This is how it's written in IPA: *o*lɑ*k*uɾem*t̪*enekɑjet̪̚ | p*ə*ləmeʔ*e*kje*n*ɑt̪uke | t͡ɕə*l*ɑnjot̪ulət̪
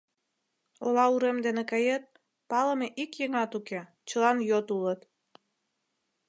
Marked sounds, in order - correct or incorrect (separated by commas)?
correct, incorrect, incorrect, incorrect, incorrect, incorrect, correct